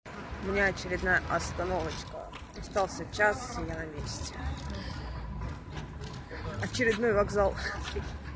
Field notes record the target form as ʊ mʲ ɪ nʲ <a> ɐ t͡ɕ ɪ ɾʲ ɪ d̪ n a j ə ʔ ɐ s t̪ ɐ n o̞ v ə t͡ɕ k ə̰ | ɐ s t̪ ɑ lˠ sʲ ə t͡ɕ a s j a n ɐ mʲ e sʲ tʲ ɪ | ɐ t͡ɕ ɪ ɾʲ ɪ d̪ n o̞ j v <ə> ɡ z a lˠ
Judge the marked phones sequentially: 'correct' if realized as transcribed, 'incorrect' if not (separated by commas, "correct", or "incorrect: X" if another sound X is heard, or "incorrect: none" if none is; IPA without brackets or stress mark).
correct, incorrect: ɐ